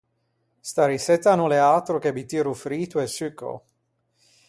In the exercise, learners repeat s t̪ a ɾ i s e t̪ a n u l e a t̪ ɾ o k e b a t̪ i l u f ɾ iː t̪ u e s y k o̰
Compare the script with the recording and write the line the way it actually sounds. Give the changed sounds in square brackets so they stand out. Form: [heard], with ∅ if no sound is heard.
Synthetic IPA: s t̪ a ɾ i s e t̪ a n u l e a t̪ ɾ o k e b [i] t̪ i [ɾ] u f ɾ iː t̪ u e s y k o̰